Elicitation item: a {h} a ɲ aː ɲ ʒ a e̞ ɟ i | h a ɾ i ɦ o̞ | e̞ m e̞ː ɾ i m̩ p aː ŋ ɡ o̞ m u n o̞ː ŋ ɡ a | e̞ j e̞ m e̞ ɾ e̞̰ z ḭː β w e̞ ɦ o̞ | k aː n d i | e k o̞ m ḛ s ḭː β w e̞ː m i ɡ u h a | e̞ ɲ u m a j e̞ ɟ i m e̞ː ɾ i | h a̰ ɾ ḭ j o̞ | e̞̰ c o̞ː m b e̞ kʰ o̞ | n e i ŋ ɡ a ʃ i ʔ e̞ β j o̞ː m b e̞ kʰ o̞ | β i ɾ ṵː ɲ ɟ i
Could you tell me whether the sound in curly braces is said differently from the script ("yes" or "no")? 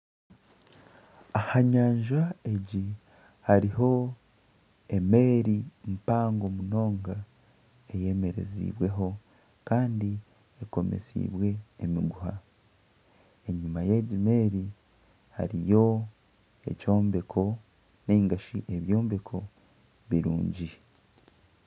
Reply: no